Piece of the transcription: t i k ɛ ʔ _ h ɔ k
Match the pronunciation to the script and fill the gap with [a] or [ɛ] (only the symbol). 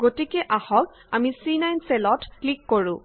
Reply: a